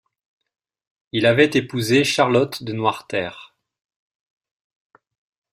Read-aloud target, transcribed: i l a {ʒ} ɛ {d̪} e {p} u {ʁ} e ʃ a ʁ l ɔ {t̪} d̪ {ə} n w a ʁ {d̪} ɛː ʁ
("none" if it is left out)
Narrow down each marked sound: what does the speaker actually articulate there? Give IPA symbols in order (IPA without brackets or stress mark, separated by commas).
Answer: v, t̪, p, z, t̪, ə, t̪